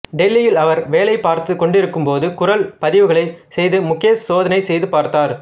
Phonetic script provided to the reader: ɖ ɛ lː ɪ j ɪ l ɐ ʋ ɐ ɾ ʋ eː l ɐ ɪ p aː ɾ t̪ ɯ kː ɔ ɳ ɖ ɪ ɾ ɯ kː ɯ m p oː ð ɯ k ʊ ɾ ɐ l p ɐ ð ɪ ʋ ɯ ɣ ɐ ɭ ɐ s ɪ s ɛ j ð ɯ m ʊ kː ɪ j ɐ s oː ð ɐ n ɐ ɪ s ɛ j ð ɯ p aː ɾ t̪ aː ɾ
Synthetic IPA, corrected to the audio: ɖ ɛ lː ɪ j ɪ l ɐ ʋ ɐ ɾ ʋ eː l ɐ ɪ p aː ɾ t̪ ɯ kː ɔ ɳ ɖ ɪ ɾ ɯ kː ɯ m p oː ð ɯ k ʊ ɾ ɐ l p ɐ ð ɪ ʋ ɯ ɣ ɐ ɭ ɐ ɪ s ɛ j ð ɯ m ʊ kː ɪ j ɐ s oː ð ɐ n ɐ ɪ s ɛ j ð ɯ p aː ɾ t̪ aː ɾ